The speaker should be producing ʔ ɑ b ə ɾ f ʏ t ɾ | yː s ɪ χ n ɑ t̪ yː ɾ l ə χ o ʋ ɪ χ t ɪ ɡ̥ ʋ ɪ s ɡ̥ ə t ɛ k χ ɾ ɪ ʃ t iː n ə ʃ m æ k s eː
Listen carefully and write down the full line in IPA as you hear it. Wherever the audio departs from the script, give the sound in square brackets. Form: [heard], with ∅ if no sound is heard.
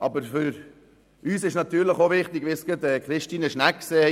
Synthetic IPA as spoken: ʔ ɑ b ə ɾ f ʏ [∅] ɾ | yː s ɪ [ʃ] n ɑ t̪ yː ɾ l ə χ o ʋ ɪ χ t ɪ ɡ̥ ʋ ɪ s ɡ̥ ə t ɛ k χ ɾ ɪ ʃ t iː n ə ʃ [n] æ k s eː

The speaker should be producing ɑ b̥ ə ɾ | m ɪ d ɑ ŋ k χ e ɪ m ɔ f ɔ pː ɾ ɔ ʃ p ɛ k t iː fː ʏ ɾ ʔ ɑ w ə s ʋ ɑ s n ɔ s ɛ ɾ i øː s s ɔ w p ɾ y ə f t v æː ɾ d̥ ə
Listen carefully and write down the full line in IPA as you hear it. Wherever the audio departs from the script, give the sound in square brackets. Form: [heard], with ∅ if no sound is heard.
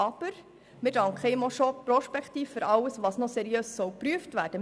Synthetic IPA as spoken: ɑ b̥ ə ɾ | m ɪ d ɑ ŋ k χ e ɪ m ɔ [ʃ] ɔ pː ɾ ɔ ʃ p ɛ k t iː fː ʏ ɾ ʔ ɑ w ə s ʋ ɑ s n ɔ s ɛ ɾ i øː s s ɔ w p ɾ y ə f t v æː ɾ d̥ ə

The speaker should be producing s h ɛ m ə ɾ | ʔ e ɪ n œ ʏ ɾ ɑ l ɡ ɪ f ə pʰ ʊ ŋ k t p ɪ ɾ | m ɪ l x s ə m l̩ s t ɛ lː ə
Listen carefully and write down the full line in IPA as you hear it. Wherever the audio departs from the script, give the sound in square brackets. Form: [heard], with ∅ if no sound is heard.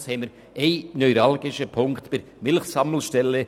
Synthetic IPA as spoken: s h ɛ m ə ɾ | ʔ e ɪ n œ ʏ ɾ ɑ l ɡ ɪ [ʃ] ə pʰ ʊ ŋ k t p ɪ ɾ | m ɪ l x s [ɑ] m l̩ [ʃ] t ɛ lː ə

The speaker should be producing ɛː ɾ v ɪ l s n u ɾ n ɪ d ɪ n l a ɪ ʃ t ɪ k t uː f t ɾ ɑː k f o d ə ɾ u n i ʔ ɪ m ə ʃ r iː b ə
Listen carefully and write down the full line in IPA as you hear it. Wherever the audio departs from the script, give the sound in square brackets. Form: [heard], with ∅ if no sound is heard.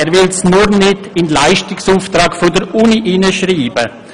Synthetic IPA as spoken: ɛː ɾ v ɪ l s n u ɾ n ɪ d ɪ n l a ɪ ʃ t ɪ k [s] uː f t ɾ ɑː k f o d ə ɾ u n i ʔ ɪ [n] ə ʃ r iː b ə

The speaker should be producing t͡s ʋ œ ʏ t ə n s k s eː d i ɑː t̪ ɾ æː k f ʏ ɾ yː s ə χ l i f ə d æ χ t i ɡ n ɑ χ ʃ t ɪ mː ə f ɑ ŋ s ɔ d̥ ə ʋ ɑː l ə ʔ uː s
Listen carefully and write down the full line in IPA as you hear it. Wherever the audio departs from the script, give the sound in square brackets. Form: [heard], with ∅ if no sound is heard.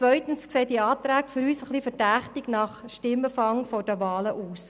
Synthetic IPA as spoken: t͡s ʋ œ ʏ t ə n s k s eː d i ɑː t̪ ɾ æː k f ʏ ɾ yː s ə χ l i f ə d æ χ t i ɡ n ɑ χ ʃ t ɪ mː ə f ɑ ŋ [f] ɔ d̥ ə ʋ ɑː l ə ʔ uː s

